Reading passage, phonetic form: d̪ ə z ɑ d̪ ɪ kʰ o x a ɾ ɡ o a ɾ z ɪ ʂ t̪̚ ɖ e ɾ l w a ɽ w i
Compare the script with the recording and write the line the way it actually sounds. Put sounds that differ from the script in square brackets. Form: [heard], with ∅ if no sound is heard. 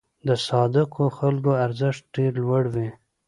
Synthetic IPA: d̪ ə [s] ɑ d̪ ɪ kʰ o x a [l] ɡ o a ɾ z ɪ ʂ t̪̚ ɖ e ɾ l w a ɽ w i